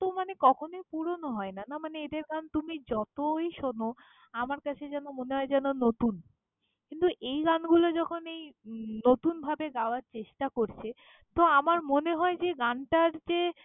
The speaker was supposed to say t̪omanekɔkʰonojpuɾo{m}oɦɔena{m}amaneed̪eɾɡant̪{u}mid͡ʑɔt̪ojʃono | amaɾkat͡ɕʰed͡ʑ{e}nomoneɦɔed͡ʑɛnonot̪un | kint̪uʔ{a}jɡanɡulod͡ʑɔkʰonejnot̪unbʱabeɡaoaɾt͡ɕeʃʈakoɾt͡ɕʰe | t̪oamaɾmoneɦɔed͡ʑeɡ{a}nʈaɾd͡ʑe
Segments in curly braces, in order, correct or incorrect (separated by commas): incorrect, incorrect, correct, incorrect, incorrect, correct